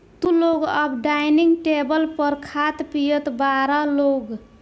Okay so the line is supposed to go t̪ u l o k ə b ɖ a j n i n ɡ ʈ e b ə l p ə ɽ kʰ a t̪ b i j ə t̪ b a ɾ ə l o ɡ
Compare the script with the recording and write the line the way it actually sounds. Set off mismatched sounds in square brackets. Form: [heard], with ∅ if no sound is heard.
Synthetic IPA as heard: t̪ u l o [ɡ] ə b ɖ a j n i [ŋ] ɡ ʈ e b ə l p ə [ɾ] kʰ a t̪ [p] i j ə t̪ b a ɾ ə l o ɡ